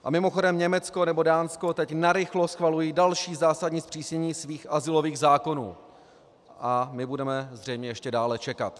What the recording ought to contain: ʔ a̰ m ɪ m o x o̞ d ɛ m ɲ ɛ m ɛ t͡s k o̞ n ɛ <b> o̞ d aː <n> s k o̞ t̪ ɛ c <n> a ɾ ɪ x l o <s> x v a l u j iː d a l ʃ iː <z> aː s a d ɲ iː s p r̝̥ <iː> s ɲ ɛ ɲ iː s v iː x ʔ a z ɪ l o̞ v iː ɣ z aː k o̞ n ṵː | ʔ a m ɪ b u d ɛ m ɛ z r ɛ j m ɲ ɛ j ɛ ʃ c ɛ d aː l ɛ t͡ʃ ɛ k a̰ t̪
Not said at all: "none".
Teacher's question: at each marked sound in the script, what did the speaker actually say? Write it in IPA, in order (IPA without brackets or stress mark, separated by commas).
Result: b, n, n, s, z, iː